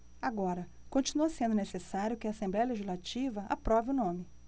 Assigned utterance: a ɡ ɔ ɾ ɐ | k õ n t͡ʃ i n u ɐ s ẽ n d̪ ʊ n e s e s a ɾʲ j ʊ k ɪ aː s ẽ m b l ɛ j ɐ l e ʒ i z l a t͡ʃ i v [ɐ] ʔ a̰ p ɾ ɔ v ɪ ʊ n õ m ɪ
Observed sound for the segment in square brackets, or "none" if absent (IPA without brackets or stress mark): ɐ